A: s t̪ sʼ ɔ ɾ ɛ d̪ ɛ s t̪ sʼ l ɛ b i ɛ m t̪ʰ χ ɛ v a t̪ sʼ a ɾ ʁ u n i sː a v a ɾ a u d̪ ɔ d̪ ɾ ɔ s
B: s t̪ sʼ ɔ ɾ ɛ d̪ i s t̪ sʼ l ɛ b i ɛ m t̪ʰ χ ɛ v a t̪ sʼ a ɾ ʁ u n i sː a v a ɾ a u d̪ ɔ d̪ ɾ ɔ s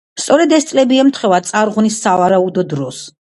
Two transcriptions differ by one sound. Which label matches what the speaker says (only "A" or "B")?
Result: A